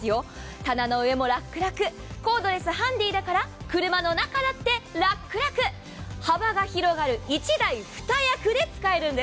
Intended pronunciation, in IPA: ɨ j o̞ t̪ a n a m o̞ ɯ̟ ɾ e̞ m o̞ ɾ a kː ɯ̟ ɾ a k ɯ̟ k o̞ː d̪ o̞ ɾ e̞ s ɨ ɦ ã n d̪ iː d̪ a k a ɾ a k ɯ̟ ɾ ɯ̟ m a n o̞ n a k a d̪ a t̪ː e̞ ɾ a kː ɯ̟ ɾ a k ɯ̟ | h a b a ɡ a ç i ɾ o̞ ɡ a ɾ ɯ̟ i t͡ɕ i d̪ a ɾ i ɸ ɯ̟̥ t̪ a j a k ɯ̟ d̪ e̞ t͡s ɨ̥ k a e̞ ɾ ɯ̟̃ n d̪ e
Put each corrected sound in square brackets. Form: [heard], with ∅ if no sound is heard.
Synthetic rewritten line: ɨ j o̞ t̪ a n a [n] o̞ ɯ̟ [∅] e̞ m o̞ ɾ a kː ɯ̟ ɾ a k ɯ̟ k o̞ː d̪ o̞ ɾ e̞ s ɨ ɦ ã n d̪ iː d̪ a k a ɾ a k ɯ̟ ɾ ɯ̟ m a n o̞ n a k a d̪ a t̪ː e̞ ɾ a kː ɯ̟ ɾ a k ɯ̟ | h a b a ɡ a ç i ɾ o̞ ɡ a ɾ ɯ̟ i t͡ɕ i d̪ a [∅] i ɸ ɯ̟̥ t̪ a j a k ɯ̟ d̪ e̞ t͡s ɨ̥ k a e̞ ɾ ɯ̟̃ n d̪ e